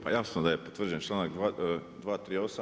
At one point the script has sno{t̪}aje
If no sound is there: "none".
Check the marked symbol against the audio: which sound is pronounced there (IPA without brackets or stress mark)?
d̪